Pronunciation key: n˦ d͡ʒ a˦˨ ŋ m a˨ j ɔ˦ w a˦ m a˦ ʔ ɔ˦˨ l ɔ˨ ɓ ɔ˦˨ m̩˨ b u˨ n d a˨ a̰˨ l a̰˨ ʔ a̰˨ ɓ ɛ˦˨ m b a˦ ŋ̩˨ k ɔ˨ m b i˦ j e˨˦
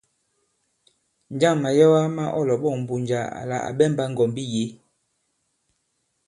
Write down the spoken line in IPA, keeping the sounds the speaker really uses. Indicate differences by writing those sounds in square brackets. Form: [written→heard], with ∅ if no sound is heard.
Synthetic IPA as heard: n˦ d͡ʒ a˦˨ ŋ m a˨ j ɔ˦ w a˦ m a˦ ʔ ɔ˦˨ l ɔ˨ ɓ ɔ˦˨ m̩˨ b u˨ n [d→d͡ʒ] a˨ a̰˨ l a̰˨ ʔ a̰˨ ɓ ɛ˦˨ m b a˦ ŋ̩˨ [k→ɡ] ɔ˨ m b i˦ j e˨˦

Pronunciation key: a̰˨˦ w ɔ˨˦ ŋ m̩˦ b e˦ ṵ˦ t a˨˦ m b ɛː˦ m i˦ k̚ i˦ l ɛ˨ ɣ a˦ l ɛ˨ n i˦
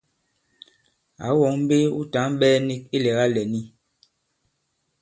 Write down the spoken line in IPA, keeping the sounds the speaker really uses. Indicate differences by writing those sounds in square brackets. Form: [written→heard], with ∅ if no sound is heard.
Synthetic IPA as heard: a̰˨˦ w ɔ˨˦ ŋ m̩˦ b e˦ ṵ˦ t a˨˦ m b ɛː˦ [m→n] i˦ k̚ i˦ l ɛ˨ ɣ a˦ l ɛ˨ n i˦

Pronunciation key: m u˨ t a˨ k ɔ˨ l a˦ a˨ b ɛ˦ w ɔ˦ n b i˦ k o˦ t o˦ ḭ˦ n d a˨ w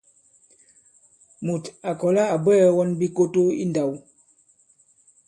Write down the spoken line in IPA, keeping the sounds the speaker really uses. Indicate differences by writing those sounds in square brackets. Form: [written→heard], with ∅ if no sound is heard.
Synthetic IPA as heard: m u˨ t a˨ k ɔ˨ l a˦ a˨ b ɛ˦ w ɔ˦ n b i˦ k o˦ t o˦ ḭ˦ n d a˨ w

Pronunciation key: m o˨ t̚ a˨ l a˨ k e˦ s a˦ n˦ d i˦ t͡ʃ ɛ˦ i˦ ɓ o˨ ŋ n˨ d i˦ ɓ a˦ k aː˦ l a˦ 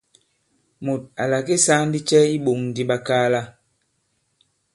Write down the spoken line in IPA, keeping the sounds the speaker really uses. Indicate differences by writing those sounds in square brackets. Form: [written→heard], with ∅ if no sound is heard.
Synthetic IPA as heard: m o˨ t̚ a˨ l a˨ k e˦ s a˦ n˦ d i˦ t͡ʃ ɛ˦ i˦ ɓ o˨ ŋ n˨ d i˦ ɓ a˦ k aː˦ l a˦

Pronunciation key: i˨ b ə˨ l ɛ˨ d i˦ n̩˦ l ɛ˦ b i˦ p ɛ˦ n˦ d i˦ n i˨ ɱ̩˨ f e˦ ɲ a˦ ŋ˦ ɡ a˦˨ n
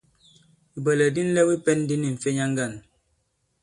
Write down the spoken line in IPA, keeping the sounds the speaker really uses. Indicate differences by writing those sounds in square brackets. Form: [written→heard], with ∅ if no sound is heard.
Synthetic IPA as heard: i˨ b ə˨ l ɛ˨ d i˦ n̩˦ l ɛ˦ [b→w] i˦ p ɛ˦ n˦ d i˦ n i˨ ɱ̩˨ f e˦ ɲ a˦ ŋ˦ ɡ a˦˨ n

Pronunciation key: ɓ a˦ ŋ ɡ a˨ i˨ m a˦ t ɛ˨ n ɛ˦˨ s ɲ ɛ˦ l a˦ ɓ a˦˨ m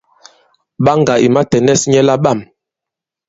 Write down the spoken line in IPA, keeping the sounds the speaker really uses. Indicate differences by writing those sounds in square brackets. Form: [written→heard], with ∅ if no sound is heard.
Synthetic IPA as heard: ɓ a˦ ŋ ɡ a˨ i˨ m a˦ t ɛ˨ n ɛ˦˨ s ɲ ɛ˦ l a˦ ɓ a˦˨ m

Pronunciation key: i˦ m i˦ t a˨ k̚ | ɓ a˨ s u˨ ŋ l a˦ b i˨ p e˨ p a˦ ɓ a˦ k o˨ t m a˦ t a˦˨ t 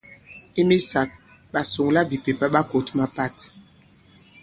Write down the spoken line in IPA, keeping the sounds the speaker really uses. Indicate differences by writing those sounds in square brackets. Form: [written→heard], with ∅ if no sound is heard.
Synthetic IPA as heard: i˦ m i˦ [t→s] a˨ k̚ | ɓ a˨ s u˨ ŋ l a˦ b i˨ p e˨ p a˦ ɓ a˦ k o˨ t m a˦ [t→p] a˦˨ t

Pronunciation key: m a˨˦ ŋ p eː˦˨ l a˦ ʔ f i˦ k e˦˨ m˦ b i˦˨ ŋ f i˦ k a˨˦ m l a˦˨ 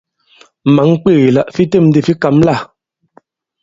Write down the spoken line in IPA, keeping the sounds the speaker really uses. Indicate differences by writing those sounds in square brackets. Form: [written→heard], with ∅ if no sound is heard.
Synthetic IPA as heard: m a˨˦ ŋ [p→k͡p] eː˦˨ l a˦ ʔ f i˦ [k→t] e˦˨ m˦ [b→d] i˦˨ [ŋ→∅] f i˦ k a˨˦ m l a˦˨

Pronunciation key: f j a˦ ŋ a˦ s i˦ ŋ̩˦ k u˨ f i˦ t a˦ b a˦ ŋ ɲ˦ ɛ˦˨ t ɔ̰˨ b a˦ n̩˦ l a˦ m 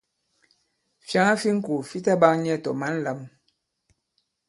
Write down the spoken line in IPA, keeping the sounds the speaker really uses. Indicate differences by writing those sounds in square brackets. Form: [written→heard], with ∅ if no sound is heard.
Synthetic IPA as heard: f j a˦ ŋ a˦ [s→f] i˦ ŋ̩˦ k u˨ f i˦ t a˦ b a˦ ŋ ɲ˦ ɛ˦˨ t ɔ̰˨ [b→m] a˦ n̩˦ l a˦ m

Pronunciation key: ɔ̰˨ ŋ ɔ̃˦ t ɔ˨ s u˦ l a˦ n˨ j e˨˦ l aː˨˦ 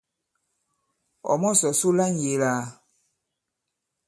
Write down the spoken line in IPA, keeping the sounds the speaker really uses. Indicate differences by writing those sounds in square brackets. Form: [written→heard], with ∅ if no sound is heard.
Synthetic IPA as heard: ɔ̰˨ [ŋ→m] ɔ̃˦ [t→s] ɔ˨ s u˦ l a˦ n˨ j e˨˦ l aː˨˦

